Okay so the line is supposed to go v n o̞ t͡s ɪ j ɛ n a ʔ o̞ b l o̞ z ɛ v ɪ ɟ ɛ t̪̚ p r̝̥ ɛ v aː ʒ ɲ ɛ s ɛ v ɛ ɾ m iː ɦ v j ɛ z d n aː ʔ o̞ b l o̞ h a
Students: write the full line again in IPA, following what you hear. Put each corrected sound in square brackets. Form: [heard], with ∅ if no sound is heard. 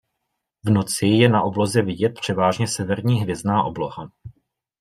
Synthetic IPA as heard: v n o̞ t͡s ɪ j ɛ n a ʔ o̞ b l o̞ z ɛ v ɪ ɟ ɛ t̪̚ p r̝̥ ɛ v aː ʒ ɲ ɛ s ɛ v ɛ ɾ [ɲ] iː ɦ v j ɛ z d n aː ʔ o̞ b l o̞ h a